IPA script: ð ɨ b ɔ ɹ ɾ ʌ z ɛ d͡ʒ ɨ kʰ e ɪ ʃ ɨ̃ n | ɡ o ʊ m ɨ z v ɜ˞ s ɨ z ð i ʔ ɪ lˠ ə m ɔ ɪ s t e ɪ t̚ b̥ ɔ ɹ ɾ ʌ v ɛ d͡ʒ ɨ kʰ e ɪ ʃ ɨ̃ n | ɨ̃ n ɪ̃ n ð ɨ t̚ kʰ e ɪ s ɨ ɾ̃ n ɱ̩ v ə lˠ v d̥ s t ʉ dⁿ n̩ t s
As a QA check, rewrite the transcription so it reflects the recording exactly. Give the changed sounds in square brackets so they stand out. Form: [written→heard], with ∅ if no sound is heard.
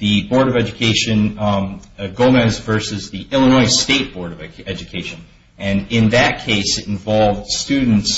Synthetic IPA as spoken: ð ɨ b ɔ ɹ ɾ ʌ [z→v] ɛ d͡ʒ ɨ kʰ e ɪ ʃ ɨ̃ n | ɡ o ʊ m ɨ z v ɜ˞ s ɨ z ð i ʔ ɪ lˠ ə [m→n] ɔ ɪ s t e ɪ t̚ b̥ ɔ ɹ ɾ ʌ v ɛ d͡ʒ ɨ kʰ e ɪ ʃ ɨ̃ n | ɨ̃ n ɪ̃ n ð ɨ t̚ kʰ e ɪ s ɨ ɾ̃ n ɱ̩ v [ə→ɑ] lˠ v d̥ s t ʉ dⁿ n̩ t s